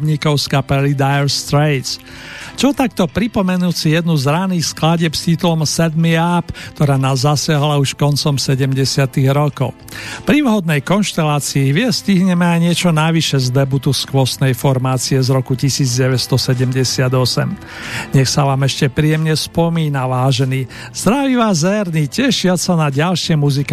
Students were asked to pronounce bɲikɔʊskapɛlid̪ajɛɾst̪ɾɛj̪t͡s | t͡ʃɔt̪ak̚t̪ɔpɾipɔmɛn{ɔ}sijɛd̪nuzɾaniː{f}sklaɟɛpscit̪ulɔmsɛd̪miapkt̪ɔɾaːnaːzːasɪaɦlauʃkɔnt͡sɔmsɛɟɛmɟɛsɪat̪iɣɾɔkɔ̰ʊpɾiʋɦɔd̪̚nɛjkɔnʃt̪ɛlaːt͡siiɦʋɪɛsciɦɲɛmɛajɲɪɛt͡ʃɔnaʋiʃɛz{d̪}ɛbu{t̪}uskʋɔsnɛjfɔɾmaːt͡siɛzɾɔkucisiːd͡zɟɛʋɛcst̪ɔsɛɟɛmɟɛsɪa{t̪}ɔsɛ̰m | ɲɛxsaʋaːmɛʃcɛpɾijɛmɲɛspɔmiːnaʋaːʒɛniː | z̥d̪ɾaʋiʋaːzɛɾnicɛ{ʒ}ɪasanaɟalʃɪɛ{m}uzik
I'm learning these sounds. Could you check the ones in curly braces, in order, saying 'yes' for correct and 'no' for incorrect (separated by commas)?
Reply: no, no, yes, yes, no, no, yes